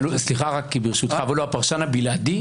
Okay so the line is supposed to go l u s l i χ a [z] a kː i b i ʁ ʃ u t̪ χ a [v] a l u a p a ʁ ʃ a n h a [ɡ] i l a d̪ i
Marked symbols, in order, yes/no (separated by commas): no, yes, no